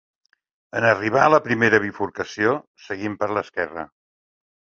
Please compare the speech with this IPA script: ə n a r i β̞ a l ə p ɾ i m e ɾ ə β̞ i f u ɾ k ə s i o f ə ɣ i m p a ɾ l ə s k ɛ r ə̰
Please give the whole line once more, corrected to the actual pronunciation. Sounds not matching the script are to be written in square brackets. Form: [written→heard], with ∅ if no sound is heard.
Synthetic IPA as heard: ə n [a→ə] r i β̞ a l ə p ɾ i m e ɾ ə β̞ i f u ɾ k ə s i o [f→s] ə ɣ i m p [a→ə] ɾ l ə s k ɛ r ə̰